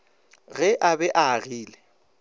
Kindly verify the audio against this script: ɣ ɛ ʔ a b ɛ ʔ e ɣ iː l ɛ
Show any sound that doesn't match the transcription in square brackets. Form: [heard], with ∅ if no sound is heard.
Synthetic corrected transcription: ɣ ɛ ʔ a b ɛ ʔ [a] ɣ iː l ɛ